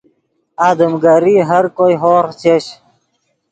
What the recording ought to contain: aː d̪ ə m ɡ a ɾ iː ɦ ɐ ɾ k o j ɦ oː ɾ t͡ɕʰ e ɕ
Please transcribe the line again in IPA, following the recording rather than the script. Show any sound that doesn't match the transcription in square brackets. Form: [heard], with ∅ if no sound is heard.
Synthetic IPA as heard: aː d̪ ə m ɡ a ɾ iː ɦ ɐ ɾ k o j ɦ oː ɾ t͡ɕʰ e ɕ